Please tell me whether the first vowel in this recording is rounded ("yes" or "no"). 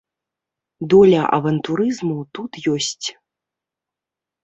yes